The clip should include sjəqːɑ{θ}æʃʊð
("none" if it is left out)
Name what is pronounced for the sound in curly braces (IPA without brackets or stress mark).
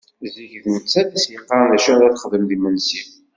ð